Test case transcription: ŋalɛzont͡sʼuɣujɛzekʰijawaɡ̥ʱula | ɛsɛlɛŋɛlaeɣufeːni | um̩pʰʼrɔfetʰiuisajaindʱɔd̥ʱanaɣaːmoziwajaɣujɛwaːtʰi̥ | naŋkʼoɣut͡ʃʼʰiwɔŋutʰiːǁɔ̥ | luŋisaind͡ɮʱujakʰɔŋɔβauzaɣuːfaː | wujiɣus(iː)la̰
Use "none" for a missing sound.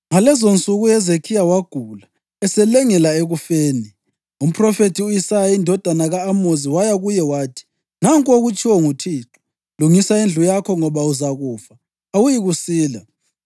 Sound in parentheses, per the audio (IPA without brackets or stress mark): iː